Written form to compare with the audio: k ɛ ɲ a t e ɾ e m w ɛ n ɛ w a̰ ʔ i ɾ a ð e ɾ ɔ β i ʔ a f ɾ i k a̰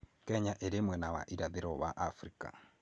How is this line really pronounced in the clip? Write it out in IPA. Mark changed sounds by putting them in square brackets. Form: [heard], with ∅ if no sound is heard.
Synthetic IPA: k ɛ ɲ a [ʔ] e ɾ e m w ɛ n [a] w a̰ ʔ i ɾ a ð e ɾ ɔ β [a] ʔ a f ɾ i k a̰

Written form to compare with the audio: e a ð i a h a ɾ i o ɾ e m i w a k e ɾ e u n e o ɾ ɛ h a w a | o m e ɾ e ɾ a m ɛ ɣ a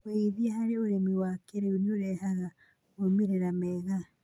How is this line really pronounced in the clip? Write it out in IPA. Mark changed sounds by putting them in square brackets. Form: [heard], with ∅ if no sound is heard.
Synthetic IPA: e [i] ð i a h a ɾ [e] o ɾ e m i w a k e ɾ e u n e o ɾ ɛ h a [ɣ] a | o m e ɾ e ɾ a m ɛ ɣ a

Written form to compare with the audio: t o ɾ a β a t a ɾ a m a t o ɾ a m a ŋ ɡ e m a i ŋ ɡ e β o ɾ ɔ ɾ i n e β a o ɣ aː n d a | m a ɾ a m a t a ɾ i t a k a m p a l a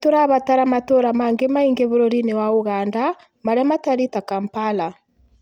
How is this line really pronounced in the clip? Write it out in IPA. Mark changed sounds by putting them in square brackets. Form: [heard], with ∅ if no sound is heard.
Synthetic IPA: t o ɾ a β a t a ɾ a m a t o ɾ a m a ŋ ɡ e m a i ŋ ɡ e β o ɾ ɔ ɾ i n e [w] a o ɣ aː n d a | m a ɾ a m a t a ɾ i t a k a m p a l a

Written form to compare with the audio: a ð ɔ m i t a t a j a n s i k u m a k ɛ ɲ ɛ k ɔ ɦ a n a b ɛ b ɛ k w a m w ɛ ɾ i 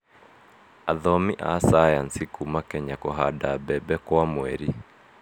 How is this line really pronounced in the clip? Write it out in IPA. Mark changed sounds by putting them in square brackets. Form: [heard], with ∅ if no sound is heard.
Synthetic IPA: a ð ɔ m i [ʔ] a [s] a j a n s i k u m a k ɛ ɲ [a] k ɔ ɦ a [d] a b ɛ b ɛ k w a m w ɛ ɾ i

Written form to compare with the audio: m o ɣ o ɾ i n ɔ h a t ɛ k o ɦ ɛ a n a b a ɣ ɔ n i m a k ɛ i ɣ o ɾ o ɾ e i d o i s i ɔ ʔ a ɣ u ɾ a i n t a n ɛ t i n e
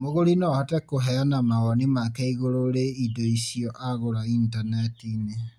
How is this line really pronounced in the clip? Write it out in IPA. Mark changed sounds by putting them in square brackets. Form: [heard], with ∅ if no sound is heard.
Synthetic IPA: m o ɣ o ɾ i n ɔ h a t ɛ k o ɦ ɛ a n a [m] a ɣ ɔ n i m a k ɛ i ɣ o ɾ o ɾ e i d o i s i ɔ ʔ a ɣ [o] ɾ a i n t a n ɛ t i n e

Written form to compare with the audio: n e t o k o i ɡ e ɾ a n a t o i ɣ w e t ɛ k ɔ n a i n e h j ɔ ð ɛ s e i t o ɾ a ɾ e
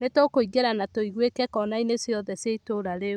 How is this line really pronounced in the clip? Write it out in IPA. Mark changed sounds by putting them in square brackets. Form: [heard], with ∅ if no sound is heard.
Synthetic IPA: n e t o k o i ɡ e ɾ a n a t o i ɣ w e [k] ɛ k ɔ n a i n e [s] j ɔ ð ɛ s e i t o ɾ a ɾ e

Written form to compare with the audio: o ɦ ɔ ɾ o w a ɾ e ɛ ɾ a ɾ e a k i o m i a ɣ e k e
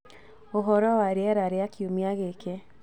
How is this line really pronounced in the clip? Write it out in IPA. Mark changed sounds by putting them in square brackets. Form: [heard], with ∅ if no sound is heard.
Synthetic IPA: o ɦ ɔ ɾ [ɔ] w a ɾ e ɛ ɾ a ɾ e a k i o m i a ɣ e k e

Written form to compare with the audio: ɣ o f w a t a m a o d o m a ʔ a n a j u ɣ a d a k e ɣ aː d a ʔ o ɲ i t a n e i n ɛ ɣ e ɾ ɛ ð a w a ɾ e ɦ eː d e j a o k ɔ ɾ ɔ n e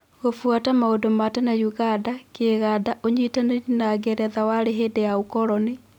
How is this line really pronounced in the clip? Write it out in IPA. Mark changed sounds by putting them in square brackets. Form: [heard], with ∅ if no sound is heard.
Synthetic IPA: ɣ o f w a t a m a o d o m a [t] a n a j u ɣ a d a k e ɣ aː d a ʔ o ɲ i t a n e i n [a] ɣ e ɾ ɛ ð a w a ɾ e ɦ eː d e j a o k ɔ ɾ ɔ n e

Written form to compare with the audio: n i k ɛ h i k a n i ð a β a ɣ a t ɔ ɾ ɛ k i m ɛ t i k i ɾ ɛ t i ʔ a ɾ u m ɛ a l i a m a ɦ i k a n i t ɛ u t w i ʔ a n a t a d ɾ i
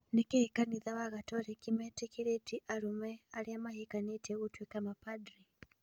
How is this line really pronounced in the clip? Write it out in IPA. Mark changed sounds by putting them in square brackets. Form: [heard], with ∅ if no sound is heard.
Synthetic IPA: n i k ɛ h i k a n i ð a [w] a ɣ a t ɔ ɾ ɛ k i m ɛ t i k i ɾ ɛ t i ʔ a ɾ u m ɛ a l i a m a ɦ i k a n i t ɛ u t w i [k] a [m] a [p] a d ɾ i

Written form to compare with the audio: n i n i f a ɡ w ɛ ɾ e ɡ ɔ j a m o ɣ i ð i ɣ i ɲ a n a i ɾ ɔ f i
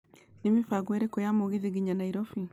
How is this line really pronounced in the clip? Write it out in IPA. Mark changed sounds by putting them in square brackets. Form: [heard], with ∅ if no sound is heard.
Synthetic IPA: n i [m] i f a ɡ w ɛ ɾ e [k] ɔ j a m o ɣ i ð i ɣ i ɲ a n a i ɾ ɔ f i

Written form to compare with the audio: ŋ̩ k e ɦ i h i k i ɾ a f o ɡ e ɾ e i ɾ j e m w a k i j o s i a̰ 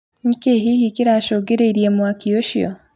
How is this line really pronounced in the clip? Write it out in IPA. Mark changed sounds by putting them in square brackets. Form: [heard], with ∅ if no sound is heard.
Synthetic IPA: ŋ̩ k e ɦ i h i k i ɾ a [ʃ] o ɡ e ɾ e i ɾ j e m w a k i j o [ʃ] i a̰

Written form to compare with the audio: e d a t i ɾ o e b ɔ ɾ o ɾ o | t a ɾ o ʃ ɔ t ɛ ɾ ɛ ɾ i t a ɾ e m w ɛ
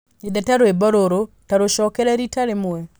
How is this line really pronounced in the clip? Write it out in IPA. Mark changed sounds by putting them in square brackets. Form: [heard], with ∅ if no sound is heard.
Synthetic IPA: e d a t [a] ɾ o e b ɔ ɾ o ɾ o | t a ɾ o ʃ ɔ [k] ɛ ɾ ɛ ɾ i t a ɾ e m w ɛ

